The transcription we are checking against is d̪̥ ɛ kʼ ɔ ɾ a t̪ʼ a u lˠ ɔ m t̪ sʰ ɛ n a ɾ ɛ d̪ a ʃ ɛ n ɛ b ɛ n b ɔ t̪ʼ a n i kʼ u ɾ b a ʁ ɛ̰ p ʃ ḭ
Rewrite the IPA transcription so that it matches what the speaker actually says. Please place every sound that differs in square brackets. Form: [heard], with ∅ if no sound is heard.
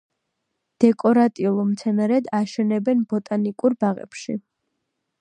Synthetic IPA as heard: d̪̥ ɛ kʼ ɔ ɾ a t̪ʼ [i] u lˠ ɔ m t̪ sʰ ɛ n a ɾ ɛ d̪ a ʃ ɛ n ɛ b ɛ n b ɔ t̪ʼ a n i kʼ u ɾ b a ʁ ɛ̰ p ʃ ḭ